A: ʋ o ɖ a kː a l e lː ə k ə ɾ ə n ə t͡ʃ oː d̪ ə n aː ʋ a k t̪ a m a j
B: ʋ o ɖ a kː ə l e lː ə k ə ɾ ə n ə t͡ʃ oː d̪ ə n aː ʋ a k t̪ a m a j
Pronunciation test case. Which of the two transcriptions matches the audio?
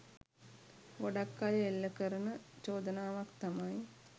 A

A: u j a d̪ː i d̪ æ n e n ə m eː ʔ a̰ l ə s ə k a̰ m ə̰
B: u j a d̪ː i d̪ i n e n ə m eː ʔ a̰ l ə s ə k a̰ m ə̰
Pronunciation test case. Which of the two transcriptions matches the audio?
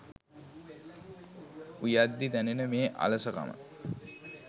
A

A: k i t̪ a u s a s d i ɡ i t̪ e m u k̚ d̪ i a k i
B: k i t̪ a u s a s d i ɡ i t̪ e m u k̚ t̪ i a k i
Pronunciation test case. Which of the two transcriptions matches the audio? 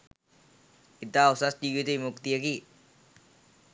B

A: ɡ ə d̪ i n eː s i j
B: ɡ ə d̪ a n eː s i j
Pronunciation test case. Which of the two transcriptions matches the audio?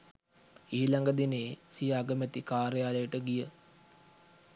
A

